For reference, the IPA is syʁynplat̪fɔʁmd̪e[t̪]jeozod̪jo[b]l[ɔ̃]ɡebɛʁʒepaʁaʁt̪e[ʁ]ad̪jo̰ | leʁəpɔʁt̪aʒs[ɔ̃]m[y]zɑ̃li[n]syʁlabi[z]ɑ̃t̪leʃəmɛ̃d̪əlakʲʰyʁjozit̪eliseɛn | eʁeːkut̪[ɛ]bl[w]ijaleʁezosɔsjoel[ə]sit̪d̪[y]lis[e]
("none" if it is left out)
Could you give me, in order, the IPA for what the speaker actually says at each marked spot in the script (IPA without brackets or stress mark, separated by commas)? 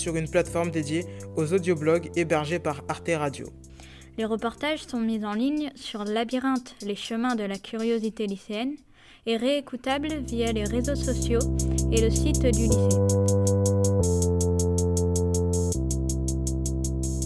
d̪, b, ɔ, ʁ, ɔ̃, i, ɲ, ʁ, a, v, ə, y, e